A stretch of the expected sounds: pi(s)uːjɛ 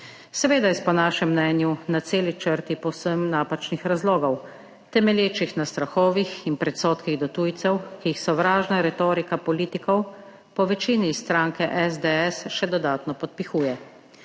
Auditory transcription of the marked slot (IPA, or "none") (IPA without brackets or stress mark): x